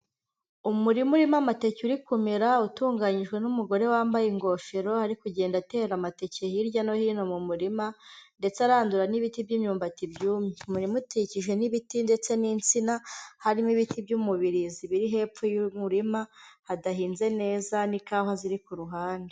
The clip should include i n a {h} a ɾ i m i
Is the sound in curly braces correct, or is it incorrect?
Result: correct